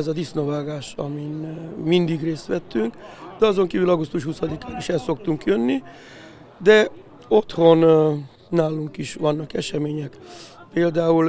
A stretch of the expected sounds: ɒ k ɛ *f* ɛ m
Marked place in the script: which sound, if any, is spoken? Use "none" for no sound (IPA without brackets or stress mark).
ʃ